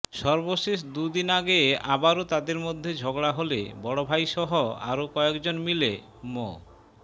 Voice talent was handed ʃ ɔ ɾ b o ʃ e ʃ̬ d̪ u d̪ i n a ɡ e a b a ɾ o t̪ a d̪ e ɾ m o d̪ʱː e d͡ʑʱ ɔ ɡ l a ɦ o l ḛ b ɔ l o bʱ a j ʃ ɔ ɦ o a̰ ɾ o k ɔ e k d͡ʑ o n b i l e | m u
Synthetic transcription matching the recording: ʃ ɔ ɾ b o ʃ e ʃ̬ d̪ u d̪ i n a ɡ e a b a ɾ o t̪ a d̪ e ɾ m o d̪ʱː e d͡ʑʱ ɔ ɡ ɽ a ɦ o l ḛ b ɔ ɽ o bʱ a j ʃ ɔ ɦ o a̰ ɾ o k ɔ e k d͡ʑ o n m i l e | m o